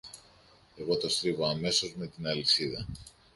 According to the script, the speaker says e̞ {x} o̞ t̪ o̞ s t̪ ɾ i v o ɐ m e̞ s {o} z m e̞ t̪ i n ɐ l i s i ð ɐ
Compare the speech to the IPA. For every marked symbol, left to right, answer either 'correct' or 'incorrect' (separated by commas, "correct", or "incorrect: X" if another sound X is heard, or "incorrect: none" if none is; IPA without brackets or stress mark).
incorrect: ɣ, correct